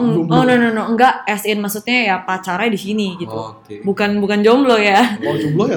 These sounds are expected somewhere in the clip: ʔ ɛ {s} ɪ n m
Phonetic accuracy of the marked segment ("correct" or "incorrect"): correct